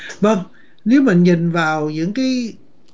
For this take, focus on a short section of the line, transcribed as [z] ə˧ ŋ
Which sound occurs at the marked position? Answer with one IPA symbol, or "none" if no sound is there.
v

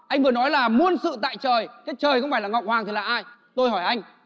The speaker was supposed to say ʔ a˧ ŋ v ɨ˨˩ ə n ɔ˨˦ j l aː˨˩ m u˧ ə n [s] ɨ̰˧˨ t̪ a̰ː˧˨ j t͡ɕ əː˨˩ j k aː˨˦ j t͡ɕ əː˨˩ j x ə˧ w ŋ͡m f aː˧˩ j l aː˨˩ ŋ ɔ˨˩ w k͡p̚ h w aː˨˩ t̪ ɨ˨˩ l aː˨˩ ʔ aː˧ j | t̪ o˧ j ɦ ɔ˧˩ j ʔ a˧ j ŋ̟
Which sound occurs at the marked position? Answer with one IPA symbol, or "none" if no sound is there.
s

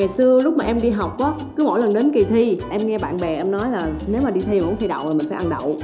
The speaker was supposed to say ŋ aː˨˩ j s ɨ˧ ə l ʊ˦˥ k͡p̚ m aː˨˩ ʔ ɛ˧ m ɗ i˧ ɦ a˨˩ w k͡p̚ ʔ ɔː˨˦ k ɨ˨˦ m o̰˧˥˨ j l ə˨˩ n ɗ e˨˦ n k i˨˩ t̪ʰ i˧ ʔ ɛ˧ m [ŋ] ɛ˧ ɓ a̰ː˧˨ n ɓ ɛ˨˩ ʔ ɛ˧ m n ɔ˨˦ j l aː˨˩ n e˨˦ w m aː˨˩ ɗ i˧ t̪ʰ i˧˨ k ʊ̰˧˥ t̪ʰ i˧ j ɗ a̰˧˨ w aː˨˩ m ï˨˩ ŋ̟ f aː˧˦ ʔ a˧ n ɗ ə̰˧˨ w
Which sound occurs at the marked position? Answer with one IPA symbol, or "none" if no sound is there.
ŋ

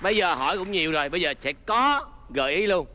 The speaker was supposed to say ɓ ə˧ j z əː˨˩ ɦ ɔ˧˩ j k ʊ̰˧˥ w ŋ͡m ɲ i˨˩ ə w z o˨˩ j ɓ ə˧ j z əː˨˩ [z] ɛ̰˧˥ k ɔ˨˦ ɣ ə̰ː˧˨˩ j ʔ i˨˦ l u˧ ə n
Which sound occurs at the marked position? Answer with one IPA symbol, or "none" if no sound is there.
s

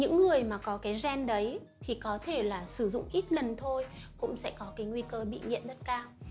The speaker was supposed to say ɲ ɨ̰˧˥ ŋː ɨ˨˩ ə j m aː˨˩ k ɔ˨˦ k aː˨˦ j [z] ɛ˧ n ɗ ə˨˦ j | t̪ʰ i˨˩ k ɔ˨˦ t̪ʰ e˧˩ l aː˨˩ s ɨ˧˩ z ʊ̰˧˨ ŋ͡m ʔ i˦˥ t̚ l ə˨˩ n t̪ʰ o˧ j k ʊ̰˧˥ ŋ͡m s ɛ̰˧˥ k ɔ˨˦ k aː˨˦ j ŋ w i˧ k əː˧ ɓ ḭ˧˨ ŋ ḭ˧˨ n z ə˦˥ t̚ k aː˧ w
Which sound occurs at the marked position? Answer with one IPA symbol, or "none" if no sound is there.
z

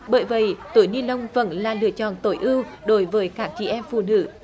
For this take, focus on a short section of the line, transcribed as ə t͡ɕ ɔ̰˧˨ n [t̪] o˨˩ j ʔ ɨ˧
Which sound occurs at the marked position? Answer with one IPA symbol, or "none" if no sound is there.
t̪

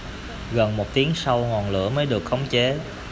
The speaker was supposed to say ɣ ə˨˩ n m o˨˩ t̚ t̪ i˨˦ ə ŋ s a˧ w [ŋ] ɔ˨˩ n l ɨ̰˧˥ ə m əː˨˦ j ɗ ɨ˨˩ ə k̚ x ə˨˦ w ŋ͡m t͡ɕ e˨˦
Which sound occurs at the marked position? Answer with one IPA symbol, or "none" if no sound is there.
ŋ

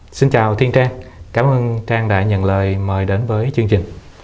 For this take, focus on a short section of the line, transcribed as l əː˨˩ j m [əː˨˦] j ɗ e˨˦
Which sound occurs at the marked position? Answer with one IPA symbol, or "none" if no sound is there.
əː˨˩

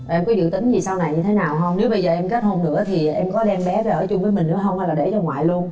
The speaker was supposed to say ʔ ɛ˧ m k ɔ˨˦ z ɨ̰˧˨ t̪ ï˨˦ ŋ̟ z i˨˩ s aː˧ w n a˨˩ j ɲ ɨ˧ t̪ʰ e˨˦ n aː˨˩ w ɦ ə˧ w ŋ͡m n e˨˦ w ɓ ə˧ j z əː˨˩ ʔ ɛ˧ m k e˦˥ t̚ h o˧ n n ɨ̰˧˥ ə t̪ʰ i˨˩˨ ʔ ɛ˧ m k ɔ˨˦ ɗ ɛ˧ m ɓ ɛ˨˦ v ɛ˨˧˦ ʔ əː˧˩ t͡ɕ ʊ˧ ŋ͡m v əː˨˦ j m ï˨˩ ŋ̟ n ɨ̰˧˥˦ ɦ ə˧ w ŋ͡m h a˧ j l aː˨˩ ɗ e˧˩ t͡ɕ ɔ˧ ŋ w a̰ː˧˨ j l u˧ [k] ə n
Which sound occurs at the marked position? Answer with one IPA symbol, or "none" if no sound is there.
none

